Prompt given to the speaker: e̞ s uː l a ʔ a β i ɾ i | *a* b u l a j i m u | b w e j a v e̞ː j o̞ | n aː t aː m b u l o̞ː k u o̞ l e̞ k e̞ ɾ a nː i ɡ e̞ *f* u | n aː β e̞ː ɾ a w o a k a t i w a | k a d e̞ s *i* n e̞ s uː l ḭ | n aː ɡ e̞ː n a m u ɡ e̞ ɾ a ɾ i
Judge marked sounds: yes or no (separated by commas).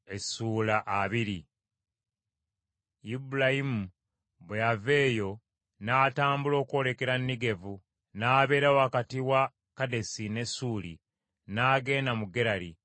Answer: no, no, yes